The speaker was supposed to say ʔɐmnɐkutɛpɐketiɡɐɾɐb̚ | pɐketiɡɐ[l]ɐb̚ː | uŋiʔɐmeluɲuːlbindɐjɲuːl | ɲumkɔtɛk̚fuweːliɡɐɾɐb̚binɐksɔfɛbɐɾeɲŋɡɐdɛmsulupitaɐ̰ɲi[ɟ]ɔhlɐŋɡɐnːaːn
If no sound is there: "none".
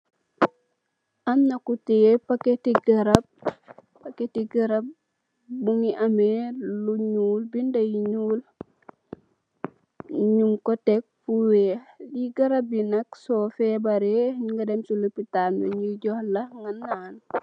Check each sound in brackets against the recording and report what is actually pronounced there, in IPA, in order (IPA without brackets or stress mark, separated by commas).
ɾ, ɟ